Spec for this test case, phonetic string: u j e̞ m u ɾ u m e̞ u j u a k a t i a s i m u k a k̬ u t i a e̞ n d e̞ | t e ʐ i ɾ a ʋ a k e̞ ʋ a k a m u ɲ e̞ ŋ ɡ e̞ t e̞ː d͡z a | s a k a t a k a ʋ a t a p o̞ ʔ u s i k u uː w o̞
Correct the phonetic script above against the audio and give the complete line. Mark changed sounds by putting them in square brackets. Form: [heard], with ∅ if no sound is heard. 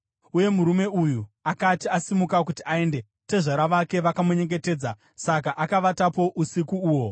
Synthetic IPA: u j e̞ m u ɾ u m e̞ u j u a k a t i a s i m u k a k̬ u t i a e̞ n d e̞ | t e ʐ [a] ɾ a ʋ a k e̞ ʋ a k a m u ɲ e̞ ŋ ɡ e̞ t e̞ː d͡z a | s a k a [ʔ] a k a ʋ a t a p o̞ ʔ u s i k u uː w o̞